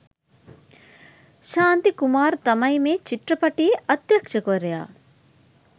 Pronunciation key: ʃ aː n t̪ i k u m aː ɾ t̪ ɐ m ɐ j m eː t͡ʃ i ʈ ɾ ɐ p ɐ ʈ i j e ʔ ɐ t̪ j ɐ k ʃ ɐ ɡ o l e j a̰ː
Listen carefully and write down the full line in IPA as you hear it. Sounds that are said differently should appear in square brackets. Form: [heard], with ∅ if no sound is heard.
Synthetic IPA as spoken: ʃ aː n t̪ i k u m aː ɾ t̪ ɐ m ɐ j m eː t͡ʃ i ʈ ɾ ɐ p ɐ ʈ i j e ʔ ɐ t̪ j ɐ k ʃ ɐ [k] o [ɾ] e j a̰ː